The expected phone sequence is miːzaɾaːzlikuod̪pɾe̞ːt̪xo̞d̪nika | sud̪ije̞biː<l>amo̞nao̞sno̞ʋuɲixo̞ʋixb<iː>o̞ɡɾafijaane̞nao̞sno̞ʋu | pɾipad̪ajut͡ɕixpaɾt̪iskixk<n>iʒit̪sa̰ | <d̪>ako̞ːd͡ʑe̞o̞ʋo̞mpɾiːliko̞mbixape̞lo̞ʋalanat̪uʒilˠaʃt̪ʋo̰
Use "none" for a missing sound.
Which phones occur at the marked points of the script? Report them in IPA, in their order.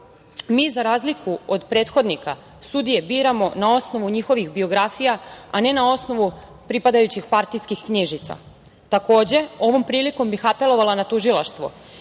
ɾ, i, ɲ, t̪

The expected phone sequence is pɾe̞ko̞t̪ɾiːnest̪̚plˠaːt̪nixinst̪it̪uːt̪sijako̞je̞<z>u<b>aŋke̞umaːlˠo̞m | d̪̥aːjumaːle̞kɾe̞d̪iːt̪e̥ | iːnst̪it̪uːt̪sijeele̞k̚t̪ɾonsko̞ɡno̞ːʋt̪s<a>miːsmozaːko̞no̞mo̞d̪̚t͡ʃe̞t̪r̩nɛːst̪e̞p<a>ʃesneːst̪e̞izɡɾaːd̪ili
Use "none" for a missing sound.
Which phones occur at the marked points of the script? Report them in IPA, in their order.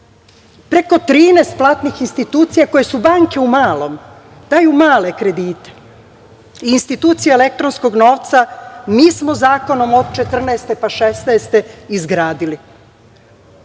s, b, a, a

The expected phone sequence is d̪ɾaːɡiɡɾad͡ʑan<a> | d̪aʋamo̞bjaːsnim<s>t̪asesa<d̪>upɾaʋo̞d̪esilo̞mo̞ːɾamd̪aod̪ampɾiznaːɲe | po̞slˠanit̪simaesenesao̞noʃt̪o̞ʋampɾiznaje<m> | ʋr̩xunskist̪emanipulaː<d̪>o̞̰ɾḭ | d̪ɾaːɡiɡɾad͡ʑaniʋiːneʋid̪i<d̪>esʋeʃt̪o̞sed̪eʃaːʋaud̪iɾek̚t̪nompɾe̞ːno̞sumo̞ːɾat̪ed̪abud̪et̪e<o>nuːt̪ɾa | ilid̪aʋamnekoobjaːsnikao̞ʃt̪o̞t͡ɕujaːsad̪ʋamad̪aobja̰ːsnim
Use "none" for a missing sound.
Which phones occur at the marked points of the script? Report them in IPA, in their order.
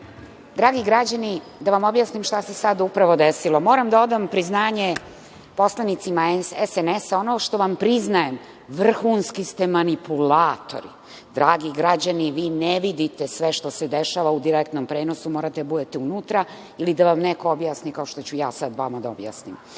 i, ʃ, d̪, m, t̪, t̪, u

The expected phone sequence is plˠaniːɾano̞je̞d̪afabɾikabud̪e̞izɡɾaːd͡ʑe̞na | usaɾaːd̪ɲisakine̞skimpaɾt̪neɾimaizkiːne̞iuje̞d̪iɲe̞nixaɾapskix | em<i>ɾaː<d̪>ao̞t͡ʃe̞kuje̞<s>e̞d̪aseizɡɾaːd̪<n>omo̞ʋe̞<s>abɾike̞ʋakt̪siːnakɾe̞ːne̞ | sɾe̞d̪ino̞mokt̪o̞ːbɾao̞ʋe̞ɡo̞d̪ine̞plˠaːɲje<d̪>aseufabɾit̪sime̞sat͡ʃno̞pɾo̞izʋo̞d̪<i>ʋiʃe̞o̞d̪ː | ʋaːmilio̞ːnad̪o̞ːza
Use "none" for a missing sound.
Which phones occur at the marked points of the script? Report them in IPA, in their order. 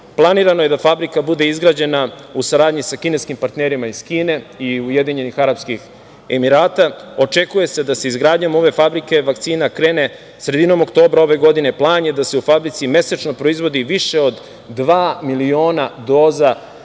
i, t̪, s, ɲ, f, d̪, i

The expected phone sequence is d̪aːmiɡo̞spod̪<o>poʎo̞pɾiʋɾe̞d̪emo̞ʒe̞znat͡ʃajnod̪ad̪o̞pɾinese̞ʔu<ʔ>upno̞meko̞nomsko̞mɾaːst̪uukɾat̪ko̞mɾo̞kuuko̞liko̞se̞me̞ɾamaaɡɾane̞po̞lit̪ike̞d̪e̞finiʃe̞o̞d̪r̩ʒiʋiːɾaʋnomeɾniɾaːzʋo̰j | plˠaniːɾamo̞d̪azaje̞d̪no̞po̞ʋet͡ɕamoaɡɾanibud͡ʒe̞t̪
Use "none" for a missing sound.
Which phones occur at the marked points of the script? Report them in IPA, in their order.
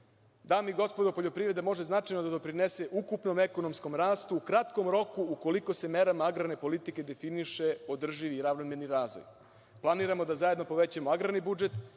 o, k

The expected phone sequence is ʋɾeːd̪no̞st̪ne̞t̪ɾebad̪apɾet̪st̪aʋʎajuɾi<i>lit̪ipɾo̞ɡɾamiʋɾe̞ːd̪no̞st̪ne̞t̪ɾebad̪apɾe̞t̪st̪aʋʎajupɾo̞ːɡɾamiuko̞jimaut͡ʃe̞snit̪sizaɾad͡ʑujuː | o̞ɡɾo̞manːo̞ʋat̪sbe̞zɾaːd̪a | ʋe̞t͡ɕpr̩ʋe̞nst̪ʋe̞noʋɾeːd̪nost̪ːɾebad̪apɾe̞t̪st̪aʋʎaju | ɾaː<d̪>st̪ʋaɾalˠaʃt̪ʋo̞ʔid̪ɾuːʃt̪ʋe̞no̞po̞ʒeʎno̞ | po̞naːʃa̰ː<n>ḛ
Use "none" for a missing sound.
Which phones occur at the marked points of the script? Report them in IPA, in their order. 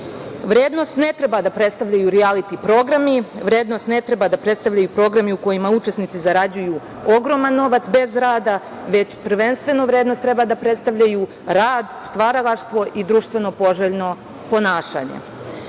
a, d̪, ɲ

